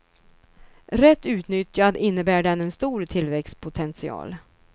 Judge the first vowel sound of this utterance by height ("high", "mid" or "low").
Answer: mid